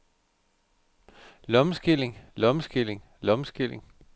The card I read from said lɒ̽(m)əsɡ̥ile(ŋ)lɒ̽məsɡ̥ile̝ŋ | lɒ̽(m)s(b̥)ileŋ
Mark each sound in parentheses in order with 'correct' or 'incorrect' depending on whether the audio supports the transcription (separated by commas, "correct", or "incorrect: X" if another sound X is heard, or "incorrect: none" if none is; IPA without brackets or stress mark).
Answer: correct, correct, correct, incorrect: ɡ̥